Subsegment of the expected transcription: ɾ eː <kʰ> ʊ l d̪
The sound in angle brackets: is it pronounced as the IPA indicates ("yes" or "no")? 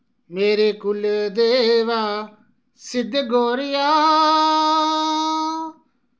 no